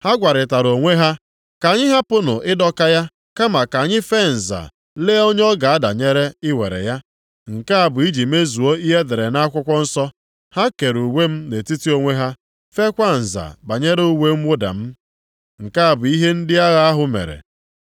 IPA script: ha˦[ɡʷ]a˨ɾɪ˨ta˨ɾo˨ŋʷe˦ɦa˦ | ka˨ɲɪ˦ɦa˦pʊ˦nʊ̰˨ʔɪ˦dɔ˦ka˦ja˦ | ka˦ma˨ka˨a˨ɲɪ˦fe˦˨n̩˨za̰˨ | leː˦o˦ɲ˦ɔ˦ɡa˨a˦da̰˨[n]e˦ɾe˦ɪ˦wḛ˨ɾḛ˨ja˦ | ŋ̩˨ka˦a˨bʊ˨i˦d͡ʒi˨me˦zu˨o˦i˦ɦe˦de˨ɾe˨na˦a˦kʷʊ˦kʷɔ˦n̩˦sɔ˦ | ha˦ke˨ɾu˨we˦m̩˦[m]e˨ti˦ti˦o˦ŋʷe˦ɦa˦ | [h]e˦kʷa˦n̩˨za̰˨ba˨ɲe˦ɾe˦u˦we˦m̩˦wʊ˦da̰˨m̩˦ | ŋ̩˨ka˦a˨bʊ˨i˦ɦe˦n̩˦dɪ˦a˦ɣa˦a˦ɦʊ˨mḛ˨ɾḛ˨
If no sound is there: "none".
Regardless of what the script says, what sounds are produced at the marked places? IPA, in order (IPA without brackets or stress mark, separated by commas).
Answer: ɡʷ, ɲ, n, f